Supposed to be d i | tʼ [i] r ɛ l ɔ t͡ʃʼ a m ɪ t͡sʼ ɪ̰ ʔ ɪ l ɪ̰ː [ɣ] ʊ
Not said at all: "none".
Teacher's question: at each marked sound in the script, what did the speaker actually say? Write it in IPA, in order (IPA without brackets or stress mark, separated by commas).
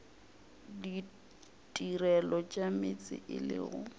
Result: i, ɣ